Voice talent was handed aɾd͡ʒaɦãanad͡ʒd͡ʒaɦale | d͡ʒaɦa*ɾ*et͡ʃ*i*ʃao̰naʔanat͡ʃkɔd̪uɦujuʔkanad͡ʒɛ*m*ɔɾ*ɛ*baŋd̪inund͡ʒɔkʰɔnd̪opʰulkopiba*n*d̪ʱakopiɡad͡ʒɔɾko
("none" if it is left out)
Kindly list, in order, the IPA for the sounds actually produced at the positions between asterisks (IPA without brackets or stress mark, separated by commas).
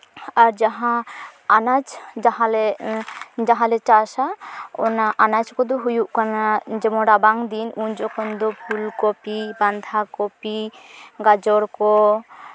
l, a, m, a, n